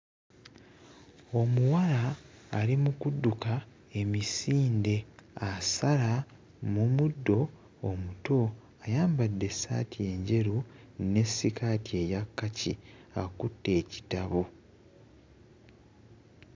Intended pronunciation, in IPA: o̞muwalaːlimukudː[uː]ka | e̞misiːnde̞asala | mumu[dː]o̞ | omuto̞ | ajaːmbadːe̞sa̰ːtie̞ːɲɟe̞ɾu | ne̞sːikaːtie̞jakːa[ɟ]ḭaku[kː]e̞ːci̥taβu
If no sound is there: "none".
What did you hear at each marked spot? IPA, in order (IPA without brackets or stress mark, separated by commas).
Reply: u, dː, c, tː